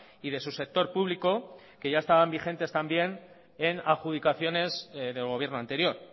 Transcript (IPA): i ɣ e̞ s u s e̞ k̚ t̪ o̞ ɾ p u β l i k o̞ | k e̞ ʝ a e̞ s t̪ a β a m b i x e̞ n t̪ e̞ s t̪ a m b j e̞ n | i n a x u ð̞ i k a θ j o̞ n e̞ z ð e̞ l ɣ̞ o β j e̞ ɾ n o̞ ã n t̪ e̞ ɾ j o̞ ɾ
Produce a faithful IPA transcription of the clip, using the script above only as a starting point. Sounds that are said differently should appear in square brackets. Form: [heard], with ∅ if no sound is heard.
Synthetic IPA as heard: i [ð] e̞ s u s e̞ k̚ t̪ o̞ ɾ p u β l i k o̞ | k e̞ ʝ a e̞ s t̪ a β a m b i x e̞ n t̪ e̞ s t̪ a m b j e̞ n | [e] n a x u ð̞ i k a θ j o̞ n e̞ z ð e̞ l ɣ̞ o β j e̞ ɾ n o̞ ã n t̪ e̞ ɾ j o̞ ɾ